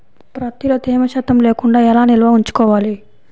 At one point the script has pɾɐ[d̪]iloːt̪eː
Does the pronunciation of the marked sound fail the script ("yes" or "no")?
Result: yes